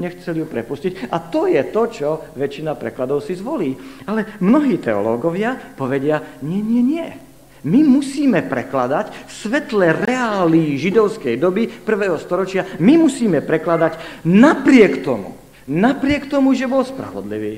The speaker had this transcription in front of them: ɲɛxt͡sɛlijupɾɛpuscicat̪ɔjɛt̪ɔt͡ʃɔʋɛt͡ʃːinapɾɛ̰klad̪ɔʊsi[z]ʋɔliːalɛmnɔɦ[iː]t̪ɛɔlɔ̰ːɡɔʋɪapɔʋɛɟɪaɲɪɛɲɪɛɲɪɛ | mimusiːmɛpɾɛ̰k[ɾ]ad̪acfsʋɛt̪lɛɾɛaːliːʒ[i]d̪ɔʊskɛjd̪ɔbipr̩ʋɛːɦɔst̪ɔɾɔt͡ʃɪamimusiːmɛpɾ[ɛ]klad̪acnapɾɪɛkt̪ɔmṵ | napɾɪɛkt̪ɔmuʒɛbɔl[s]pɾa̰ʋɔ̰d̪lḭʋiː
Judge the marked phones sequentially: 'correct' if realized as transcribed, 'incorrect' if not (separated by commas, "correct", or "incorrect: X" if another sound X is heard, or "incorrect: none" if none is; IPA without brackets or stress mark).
correct, correct, incorrect: l, correct, correct, correct